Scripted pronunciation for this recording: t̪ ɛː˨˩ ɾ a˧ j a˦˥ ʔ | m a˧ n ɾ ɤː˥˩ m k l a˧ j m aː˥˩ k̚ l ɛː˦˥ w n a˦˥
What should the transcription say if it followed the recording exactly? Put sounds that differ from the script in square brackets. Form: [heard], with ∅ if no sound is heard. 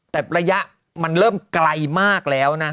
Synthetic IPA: t̪ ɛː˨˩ ɾ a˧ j a˦˥ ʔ | m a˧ n ɾ ɤː˥˩ m k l a˧ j m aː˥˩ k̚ l ɛː˦˥ w n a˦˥